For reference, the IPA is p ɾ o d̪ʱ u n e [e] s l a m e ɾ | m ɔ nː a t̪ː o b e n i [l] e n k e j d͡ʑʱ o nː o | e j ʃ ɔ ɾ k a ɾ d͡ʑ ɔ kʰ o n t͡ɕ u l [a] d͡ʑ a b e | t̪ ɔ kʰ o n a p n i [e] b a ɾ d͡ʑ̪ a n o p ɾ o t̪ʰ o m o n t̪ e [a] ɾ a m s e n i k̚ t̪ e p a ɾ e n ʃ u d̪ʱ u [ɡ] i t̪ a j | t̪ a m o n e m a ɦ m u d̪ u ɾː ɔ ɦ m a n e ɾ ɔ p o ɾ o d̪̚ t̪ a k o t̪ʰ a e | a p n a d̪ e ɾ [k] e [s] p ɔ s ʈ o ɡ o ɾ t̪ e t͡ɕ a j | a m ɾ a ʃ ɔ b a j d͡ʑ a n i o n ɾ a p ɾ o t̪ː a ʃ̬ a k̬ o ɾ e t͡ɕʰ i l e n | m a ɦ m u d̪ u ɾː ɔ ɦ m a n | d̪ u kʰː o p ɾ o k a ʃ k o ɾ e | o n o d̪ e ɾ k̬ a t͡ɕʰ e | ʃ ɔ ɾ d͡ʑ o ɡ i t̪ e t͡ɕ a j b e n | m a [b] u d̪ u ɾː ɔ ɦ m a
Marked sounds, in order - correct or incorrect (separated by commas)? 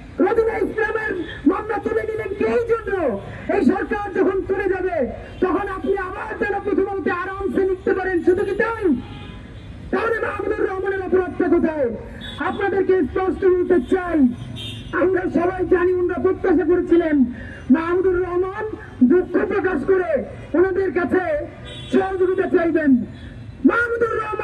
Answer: incorrect, correct, incorrect, incorrect, correct, incorrect, correct, correct, incorrect